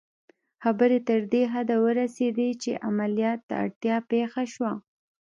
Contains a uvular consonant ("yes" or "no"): no